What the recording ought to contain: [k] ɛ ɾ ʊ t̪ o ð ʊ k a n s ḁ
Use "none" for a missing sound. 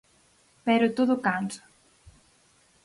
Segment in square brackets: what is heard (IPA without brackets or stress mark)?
p